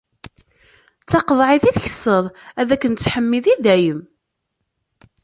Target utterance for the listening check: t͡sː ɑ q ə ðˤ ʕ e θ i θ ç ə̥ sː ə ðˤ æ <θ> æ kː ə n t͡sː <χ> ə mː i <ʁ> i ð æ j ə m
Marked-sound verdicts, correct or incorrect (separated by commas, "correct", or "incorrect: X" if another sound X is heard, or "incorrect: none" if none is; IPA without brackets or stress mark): incorrect: ð, incorrect: ħ, incorrect: ð